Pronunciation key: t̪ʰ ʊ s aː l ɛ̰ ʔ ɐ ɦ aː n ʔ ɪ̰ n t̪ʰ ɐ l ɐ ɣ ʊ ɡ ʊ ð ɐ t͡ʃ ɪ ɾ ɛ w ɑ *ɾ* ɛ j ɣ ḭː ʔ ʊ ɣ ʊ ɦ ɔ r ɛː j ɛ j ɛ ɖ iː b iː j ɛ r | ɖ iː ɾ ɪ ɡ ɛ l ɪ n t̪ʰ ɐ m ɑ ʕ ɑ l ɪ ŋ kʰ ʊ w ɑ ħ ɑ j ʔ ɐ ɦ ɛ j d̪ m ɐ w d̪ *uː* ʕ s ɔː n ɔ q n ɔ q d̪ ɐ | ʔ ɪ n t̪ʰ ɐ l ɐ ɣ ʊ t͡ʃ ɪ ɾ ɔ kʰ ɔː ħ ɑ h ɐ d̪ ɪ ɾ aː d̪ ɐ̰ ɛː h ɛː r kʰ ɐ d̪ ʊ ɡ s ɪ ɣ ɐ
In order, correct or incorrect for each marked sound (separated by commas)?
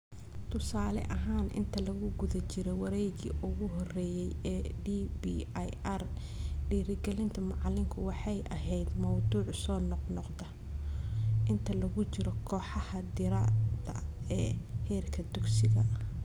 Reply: correct, correct